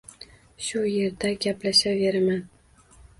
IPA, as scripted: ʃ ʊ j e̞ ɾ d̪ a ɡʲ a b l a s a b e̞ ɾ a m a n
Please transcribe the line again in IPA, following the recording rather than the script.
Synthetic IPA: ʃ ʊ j e̞ ɾ d̪ a ɡʲ a p l a ʃ a v e̞ ɾ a m a n

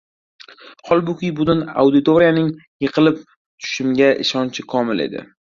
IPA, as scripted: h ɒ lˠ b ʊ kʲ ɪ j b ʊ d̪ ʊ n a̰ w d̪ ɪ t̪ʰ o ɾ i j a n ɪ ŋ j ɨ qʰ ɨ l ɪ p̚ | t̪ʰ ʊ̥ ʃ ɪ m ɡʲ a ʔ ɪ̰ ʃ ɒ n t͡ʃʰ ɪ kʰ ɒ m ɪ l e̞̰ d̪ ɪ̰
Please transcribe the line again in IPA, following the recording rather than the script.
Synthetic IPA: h ɒ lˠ b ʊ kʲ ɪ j b ʊ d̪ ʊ n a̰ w d̪ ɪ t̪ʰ o ɾ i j a n ɪ ŋ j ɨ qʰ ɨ l ɪ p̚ | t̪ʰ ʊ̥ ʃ ɪ m ɡʲ a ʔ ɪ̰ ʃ ɒ n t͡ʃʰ ɪ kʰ ɒ m ɪ l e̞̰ d̪ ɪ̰

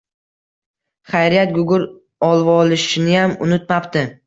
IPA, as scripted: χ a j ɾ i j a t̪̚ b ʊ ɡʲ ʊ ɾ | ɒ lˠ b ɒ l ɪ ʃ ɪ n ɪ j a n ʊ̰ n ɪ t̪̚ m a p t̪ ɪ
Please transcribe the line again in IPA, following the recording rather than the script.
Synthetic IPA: χ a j ɾ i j a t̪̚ ɡ ʊ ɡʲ ʊ ɾ | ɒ lˠ v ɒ l ɪ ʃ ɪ n ɪ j a m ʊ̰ n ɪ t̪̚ m a p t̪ ɪ

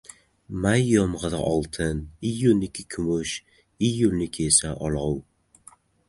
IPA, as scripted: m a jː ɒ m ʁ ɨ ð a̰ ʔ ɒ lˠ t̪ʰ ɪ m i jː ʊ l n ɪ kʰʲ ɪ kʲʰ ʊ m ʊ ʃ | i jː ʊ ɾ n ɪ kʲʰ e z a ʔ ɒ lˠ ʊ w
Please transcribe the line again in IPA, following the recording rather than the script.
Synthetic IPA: m a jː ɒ m ʁ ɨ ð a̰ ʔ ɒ lˠ t̪ʰ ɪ n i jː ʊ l n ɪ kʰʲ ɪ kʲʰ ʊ m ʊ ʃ | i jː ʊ l n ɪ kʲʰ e s a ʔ ɒ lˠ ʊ w

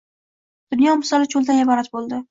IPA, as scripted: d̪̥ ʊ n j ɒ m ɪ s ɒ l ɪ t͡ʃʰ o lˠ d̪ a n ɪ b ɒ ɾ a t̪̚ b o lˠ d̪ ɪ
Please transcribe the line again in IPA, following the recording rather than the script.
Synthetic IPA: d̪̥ ʊ n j ɒ m ɪ s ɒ l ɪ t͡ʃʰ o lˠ d̪ a n ɪ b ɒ ɾ a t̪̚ b o lˠ d̪ ɪ

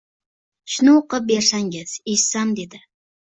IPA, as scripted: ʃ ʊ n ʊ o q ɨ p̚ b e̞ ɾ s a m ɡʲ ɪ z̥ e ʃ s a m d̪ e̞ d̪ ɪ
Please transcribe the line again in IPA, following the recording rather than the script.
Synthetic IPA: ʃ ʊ n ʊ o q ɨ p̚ b e̞ ɾ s a ŋ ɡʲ ɪ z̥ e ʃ s a m d̪ e̞ d̪ ɪ

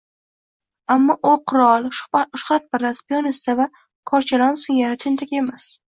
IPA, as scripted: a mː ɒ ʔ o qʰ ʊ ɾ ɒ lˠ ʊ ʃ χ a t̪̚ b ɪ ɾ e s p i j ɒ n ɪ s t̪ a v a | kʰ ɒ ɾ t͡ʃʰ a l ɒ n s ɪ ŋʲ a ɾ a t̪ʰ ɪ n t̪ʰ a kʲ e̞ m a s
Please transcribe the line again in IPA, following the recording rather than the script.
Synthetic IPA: a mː ɒ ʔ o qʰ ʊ ɾ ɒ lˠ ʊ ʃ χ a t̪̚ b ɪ ɾ a s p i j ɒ n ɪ s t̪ a v a | kʰ ɒ ɾ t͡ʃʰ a l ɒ n s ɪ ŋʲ a ɾ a t̪ʰ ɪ n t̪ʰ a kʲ e̞ m a s

